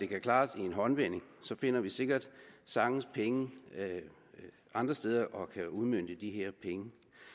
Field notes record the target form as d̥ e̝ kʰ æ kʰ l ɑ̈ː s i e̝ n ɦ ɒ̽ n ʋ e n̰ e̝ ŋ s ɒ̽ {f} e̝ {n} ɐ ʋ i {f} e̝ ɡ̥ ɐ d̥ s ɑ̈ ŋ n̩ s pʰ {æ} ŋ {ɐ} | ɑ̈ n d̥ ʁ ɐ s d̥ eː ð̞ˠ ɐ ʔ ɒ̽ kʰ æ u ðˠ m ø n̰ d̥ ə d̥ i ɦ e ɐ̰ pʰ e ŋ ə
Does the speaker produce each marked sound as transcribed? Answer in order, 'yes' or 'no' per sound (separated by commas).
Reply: yes, yes, no, no, no